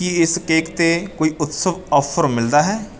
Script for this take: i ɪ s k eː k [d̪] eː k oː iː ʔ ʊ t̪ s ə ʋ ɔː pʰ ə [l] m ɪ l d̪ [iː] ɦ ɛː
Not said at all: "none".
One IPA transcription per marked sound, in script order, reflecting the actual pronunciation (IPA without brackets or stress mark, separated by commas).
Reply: t̪, ɾ, aː